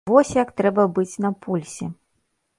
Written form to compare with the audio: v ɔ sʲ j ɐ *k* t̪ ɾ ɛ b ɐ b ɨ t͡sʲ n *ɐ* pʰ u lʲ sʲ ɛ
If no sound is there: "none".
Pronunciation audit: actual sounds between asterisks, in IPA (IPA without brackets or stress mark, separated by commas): k, ɐ